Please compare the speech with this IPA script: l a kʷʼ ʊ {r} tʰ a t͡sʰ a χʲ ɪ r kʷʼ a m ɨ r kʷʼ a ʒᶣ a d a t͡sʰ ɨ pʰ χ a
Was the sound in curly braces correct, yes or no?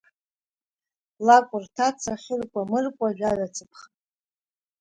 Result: yes